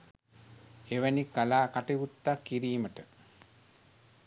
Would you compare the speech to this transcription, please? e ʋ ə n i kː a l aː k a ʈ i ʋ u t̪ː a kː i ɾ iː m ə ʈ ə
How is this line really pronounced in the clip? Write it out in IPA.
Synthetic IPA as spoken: e ʋ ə n i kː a l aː k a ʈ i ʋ u t̪ː a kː i ɾ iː m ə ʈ ə